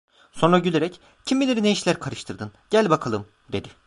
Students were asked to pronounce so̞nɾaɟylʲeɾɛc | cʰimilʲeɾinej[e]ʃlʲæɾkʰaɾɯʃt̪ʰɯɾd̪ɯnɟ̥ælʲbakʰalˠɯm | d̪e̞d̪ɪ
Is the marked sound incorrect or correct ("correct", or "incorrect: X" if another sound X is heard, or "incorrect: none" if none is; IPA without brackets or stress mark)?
incorrect: i